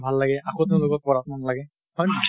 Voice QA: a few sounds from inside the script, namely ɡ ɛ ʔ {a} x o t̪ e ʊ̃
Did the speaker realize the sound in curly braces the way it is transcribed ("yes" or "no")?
yes